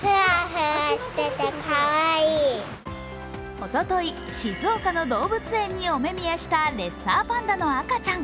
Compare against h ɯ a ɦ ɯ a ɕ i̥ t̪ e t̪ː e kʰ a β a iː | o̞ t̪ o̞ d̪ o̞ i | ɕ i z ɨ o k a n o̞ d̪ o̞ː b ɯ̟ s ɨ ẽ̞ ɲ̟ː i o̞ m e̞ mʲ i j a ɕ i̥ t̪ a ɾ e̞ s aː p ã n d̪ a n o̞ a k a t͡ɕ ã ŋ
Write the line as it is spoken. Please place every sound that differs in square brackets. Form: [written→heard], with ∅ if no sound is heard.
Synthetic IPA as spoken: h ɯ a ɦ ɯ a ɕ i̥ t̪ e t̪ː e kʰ a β a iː | o̞ t̪ o̞ [d̪→t̪] o̞ i | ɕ i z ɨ o k a n o̞ d̪ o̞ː b ɯ̟ [s→t͡s] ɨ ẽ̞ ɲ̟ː i o̞ m e̞ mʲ i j a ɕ i̥ t̪ a ɾ e̞ s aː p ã n d̪ a n o̞ a k a t͡ɕ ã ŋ